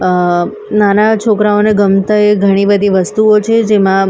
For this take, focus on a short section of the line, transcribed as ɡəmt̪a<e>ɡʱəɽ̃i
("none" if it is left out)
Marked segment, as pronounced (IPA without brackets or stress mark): e